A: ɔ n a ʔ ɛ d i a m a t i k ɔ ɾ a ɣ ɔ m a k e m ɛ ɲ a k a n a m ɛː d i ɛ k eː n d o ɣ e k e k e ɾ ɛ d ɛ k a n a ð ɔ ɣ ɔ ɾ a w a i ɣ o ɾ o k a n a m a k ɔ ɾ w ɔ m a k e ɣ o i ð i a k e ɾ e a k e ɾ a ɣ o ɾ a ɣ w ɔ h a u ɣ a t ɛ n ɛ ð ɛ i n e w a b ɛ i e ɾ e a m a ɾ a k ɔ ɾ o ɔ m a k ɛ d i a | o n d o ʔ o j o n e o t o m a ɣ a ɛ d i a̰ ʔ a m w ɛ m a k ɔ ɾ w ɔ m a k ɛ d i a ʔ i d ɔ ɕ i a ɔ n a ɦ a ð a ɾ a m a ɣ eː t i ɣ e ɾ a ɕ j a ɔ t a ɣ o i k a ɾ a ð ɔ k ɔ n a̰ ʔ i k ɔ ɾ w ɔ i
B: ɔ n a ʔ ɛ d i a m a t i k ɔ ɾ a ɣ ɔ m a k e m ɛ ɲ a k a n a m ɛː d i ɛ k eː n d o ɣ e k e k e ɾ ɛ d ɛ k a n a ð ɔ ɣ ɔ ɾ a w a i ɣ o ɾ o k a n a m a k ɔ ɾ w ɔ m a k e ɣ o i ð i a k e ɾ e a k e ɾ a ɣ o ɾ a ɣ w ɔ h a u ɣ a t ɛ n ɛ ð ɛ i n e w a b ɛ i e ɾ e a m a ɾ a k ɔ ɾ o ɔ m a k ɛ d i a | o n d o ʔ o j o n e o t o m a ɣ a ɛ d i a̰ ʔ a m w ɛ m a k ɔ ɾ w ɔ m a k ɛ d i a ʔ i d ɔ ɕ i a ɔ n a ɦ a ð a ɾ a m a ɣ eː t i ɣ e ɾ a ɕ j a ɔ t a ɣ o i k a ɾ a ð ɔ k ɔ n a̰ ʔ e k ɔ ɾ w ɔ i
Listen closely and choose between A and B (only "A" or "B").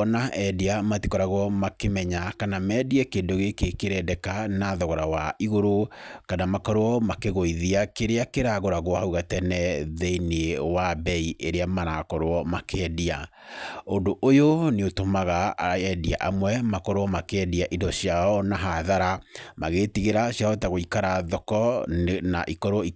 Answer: A